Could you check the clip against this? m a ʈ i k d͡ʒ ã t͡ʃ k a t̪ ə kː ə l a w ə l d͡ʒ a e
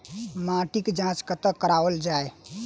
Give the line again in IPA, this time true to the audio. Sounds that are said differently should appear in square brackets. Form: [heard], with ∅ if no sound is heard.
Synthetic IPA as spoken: m a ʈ i k d͡ʒ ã t͡ʃ k [ə] t̪ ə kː ə [ɾ] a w ə l d͡ʒ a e